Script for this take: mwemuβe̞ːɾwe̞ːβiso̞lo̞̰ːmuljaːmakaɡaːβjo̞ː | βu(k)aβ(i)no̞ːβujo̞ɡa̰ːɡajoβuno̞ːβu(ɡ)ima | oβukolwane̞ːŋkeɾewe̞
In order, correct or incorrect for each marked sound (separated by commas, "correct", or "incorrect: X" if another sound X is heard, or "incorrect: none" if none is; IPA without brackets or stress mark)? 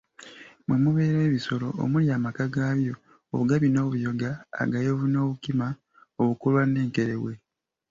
incorrect: ɡ, correct, incorrect: k